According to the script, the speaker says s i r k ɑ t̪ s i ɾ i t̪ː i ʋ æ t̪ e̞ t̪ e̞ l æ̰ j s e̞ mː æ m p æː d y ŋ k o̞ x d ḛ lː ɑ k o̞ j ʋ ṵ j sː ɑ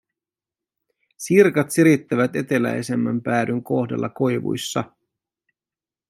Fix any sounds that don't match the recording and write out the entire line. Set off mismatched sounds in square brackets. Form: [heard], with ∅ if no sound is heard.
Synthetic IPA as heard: s i r k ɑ t̪ s i ɾ i t̪ː [æ] ʋ æ t̪ e̞ t̪ e̞ l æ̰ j s e̞ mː æ m p æː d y ŋ k o̞ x d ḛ lː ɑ k o̞ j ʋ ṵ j sː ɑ